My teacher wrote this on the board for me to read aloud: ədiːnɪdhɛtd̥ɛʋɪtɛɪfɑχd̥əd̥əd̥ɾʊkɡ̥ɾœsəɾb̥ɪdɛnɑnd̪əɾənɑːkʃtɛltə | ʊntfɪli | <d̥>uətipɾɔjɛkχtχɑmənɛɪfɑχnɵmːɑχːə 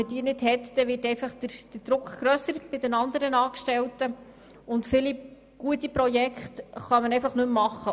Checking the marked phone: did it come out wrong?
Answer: yes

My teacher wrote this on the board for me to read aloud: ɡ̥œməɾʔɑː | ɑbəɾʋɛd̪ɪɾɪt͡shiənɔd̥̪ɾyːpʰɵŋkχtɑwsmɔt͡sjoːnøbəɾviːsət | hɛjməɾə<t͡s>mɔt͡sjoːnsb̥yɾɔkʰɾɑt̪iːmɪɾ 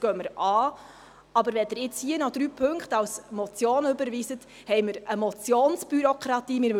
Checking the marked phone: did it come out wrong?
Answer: yes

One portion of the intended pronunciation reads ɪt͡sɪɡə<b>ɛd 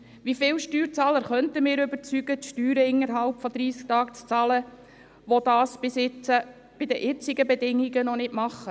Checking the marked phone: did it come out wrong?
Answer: no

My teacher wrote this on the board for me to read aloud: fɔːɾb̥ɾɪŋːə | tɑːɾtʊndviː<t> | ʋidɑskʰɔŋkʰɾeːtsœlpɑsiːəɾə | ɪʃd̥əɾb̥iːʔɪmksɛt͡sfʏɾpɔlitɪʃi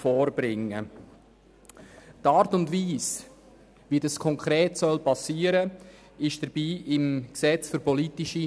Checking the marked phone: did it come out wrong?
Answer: yes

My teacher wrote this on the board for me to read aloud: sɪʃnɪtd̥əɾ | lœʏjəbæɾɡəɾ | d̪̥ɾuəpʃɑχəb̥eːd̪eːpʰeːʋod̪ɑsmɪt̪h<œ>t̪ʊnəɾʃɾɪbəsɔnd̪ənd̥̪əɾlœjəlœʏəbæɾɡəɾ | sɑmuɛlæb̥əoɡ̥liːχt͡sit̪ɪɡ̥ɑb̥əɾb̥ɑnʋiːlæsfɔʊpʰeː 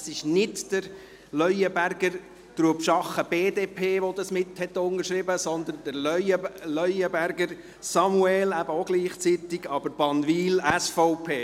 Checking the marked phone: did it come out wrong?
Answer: yes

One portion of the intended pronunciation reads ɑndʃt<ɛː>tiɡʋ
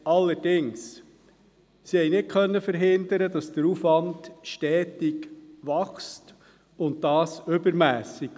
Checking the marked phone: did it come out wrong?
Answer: no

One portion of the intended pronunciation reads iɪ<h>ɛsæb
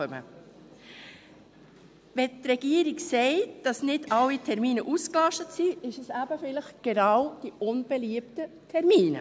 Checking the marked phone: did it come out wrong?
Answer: yes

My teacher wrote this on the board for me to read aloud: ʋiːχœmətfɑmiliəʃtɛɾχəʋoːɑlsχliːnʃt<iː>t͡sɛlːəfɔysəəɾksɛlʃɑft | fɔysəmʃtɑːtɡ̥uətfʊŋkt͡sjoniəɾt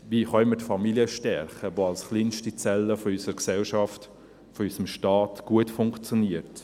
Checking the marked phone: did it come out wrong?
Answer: yes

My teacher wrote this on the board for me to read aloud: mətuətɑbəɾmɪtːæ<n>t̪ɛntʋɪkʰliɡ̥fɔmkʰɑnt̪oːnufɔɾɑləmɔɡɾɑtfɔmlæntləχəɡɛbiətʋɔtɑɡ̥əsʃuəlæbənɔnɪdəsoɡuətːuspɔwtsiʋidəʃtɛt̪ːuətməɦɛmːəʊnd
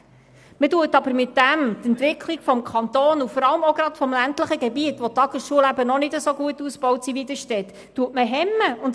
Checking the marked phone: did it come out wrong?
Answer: yes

